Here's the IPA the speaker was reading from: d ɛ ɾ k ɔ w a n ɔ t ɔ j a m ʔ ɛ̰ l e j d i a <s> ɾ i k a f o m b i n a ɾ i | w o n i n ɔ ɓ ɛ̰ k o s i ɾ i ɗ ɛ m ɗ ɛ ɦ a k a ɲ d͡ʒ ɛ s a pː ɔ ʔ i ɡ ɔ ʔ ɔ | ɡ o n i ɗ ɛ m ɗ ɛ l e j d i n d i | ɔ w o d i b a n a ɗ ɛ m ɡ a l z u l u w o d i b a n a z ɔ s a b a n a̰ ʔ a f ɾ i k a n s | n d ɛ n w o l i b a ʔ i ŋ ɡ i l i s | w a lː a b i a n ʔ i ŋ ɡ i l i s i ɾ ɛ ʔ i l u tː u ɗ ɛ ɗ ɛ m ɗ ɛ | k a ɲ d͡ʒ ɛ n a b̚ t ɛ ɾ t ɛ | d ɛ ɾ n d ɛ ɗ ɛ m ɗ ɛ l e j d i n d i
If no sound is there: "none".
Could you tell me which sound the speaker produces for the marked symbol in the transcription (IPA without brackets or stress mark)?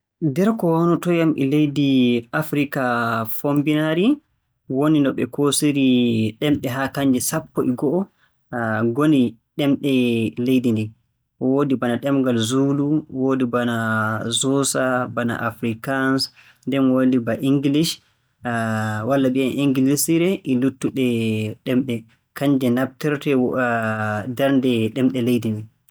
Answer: f